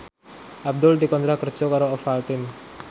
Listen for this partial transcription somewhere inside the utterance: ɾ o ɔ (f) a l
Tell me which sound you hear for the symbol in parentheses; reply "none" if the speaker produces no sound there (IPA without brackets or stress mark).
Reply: f